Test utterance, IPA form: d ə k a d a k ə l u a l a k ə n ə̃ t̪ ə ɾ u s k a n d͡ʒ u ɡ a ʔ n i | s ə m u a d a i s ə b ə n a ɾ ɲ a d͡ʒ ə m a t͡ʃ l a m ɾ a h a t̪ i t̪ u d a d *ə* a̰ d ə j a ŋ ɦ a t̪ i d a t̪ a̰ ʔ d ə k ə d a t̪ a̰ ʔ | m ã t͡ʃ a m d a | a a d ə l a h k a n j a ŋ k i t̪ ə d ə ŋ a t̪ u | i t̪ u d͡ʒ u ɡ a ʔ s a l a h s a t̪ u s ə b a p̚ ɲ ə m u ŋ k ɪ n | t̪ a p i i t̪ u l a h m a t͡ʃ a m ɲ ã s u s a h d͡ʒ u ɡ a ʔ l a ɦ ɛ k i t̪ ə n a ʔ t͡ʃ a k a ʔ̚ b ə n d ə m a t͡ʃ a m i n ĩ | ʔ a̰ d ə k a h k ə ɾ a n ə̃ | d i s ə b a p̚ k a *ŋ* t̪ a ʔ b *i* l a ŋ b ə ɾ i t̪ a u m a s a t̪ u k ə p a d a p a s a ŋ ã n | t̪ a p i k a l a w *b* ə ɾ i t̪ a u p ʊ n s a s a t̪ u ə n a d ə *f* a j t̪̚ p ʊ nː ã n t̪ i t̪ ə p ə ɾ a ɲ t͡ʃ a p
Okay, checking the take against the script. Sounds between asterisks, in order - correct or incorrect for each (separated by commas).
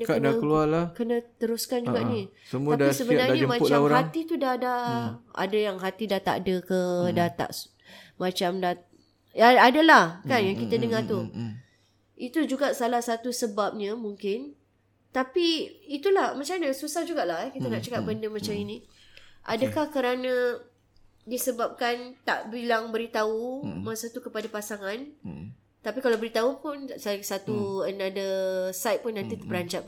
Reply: incorrect, incorrect, correct, correct, incorrect